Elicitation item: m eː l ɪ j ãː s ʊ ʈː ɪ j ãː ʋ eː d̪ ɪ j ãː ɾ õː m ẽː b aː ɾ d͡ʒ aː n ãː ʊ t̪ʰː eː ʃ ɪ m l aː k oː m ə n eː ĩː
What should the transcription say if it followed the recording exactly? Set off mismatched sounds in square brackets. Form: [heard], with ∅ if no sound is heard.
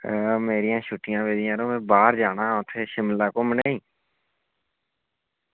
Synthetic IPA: m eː [ɾ] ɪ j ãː [ʃ] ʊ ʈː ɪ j ãː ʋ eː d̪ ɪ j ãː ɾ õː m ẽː b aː ɾ d͡ʒ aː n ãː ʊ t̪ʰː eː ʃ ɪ m l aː k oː m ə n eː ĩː